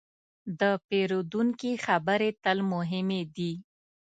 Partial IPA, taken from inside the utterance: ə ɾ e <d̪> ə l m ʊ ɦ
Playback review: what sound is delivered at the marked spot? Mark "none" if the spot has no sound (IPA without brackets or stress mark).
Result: t̪